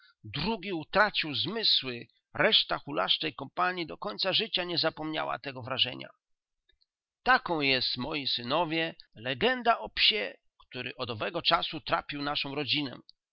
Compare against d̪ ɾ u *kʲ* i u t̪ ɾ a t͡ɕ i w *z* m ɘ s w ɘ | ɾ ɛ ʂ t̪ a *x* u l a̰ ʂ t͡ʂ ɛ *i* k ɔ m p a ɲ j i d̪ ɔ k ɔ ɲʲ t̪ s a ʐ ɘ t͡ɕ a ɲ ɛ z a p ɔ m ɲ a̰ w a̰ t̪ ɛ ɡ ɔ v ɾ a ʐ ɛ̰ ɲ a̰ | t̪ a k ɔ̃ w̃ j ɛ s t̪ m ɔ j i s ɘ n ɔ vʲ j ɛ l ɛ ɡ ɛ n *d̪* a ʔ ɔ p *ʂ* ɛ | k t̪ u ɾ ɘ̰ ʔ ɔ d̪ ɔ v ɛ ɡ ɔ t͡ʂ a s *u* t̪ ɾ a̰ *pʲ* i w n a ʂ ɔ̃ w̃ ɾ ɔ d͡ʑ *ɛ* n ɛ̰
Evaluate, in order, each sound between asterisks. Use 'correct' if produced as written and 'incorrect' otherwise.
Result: incorrect, correct, correct, incorrect, correct, incorrect, correct, correct, incorrect

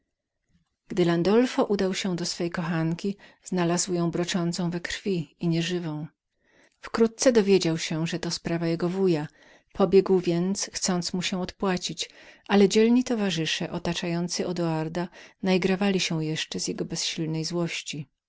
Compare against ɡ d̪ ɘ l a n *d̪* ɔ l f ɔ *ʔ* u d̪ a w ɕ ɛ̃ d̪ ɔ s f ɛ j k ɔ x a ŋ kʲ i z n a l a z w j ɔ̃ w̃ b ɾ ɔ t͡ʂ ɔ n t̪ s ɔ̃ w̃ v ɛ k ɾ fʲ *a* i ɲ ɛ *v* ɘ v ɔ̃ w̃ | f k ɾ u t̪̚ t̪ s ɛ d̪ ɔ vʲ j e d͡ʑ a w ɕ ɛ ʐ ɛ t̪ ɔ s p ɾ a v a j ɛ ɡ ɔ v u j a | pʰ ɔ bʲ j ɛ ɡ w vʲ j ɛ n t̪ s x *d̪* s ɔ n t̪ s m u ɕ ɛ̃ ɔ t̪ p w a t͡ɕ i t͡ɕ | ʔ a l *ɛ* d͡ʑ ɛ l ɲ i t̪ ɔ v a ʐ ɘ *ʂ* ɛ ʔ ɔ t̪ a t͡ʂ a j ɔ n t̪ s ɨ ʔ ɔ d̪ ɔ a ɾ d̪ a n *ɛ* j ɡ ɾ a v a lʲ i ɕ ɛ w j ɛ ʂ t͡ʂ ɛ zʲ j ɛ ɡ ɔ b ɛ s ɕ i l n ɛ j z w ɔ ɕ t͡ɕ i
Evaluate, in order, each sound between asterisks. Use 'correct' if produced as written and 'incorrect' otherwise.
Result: correct, correct, incorrect, incorrect, incorrect, correct, correct, incorrect

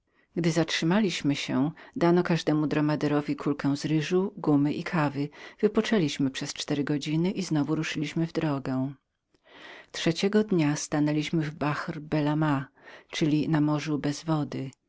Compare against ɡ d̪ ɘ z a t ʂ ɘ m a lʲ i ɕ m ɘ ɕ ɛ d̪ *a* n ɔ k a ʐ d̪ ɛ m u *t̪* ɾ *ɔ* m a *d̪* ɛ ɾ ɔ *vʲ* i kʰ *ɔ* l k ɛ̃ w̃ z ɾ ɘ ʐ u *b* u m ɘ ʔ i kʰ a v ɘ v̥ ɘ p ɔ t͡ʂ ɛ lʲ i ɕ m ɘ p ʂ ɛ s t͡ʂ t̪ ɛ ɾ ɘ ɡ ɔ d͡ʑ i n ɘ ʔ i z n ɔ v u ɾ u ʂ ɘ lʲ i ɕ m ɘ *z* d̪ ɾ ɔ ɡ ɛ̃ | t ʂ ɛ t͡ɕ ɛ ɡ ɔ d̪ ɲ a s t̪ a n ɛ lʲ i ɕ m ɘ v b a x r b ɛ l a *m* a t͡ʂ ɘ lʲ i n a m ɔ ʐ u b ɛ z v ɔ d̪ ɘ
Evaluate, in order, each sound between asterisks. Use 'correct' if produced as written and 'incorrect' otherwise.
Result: correct, incorrect, correct, correct, correct, incorrect, incorrect, incorrect, correct

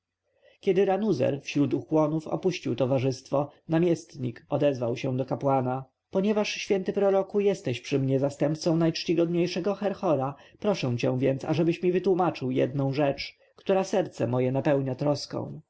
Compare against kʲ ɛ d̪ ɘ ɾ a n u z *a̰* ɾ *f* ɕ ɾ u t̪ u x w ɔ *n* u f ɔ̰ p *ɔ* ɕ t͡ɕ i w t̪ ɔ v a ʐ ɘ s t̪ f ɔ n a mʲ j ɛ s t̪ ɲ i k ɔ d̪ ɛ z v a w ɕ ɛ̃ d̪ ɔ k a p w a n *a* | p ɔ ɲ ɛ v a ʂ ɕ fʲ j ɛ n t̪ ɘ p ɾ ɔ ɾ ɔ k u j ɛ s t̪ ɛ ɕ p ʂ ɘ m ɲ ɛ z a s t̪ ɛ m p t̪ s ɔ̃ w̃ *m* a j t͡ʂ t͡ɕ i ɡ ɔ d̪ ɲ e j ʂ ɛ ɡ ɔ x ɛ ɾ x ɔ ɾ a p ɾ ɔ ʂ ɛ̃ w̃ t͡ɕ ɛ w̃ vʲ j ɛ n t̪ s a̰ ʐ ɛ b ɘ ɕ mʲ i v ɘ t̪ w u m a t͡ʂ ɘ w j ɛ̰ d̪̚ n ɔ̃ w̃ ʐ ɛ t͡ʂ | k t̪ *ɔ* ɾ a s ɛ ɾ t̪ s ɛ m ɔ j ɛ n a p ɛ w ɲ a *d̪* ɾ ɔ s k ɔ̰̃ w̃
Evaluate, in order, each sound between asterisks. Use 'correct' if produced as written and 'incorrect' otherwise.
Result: incorrect, correct, correct, incorrect, correct, incorrect, incorrect, incorrect

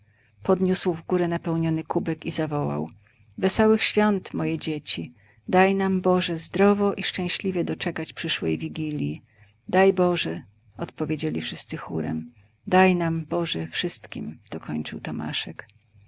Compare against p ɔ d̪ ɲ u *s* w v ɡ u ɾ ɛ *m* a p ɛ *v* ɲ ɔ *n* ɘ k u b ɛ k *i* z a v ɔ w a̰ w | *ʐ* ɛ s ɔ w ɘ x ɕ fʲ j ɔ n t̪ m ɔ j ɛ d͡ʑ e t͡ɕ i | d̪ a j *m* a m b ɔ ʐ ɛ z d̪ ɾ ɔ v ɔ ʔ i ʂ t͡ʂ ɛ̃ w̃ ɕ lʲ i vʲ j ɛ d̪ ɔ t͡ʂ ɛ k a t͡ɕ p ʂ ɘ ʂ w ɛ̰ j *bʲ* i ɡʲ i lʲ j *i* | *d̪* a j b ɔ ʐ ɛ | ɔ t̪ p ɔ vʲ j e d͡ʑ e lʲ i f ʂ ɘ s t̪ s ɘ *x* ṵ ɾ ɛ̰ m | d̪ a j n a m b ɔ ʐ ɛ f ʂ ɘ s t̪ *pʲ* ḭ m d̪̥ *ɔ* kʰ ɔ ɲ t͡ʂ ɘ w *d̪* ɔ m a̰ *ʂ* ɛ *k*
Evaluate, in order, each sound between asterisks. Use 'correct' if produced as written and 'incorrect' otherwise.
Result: correct, incorrect, incorrect, correct, correct, incorrect, incorrect, incorrect, correct, correct, correct, incorrect, correct, incorrect, correct, correct

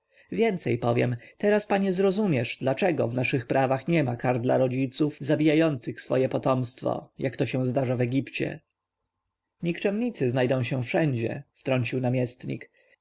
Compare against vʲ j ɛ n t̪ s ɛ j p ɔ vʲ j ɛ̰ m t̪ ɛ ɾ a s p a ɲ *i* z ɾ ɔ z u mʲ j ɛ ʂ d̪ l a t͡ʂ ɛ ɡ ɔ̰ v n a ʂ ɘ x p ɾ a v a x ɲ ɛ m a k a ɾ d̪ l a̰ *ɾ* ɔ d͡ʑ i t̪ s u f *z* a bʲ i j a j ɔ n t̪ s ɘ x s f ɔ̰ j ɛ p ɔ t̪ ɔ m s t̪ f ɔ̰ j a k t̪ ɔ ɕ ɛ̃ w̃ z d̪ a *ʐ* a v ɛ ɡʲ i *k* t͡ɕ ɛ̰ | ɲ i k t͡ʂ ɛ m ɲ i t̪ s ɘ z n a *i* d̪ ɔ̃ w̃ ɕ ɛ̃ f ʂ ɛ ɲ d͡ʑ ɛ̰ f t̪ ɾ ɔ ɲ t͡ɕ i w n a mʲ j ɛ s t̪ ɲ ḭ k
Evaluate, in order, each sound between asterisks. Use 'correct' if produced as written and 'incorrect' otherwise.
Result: incorrect, correct, correct, correct, incorrect, incorrect

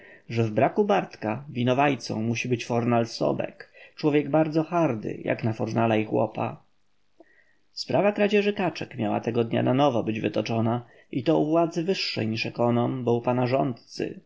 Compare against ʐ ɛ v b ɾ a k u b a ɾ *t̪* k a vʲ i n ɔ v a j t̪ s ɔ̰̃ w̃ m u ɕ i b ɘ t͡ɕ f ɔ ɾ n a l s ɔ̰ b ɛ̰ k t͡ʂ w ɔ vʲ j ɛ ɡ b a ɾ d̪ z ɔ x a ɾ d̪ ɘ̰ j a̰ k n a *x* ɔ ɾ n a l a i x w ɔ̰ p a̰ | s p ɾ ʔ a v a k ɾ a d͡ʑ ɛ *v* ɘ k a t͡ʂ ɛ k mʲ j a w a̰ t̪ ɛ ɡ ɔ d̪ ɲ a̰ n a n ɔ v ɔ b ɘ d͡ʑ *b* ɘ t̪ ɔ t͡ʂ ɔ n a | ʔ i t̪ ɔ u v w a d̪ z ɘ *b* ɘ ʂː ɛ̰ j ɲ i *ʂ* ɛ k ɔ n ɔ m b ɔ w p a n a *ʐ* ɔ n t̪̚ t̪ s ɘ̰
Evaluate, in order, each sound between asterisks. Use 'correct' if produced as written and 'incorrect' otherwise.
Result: correct, incorrect, incorrect, incorrect, incorrect, correct, correct

